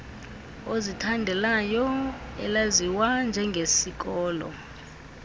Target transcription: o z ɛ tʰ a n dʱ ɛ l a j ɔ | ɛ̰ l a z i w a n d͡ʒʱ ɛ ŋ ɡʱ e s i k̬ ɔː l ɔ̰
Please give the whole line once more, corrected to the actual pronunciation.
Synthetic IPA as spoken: o z i tʰ a n dʱ ɛ l a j ɔ | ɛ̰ l a z i w a n d͡ʒʱ ɛ ŋ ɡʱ e s i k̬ ɔː l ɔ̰